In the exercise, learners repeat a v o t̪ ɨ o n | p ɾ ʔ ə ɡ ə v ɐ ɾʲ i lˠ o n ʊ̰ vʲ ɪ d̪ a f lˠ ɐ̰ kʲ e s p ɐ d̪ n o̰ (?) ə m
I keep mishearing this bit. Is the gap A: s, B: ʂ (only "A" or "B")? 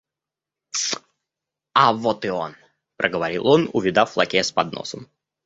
A